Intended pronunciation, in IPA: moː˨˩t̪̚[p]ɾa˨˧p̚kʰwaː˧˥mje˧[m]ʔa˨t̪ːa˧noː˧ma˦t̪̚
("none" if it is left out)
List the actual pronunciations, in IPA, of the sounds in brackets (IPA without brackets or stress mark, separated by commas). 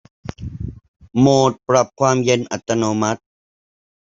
p, n